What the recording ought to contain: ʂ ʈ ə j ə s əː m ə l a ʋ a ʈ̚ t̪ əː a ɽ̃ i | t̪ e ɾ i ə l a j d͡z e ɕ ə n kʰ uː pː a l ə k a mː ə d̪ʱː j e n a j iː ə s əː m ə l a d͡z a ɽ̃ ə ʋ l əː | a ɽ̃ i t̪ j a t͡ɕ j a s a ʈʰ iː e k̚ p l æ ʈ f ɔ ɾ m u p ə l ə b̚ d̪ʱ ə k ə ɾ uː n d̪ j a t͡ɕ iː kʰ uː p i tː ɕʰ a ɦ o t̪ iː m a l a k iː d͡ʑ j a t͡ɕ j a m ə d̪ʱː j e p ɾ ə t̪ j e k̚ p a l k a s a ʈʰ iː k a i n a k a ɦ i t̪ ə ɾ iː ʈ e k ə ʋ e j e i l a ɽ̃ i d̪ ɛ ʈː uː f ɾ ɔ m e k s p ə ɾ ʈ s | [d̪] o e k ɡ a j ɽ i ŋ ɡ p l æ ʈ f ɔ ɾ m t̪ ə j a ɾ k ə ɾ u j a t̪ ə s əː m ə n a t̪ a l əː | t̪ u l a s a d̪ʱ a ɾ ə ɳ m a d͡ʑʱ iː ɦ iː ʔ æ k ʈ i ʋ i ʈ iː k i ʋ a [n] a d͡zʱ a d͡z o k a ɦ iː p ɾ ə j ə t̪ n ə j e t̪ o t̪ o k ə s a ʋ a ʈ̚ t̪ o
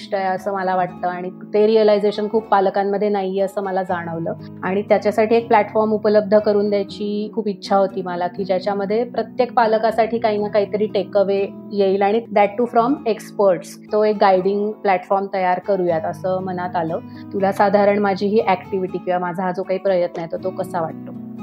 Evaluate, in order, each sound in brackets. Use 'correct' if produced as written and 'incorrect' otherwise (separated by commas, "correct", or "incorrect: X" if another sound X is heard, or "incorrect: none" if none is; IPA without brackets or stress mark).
incorrect: t̪, incorrect: m